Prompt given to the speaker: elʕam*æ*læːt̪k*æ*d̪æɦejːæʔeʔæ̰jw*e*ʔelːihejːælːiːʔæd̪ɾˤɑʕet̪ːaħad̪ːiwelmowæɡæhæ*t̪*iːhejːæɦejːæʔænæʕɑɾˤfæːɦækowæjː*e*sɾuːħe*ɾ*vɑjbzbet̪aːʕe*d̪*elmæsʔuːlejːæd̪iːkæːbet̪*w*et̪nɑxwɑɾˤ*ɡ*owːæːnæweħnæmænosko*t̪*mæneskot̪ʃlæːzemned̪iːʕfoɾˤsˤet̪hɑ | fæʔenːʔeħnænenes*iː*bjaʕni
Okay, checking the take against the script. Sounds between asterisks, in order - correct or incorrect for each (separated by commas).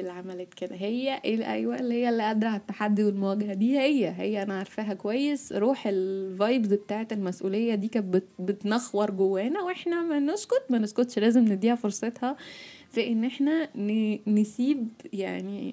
correct, incorrect, incorrect, incorrect, correct, incorrect, incorrect, incorrect, correct, correct, correct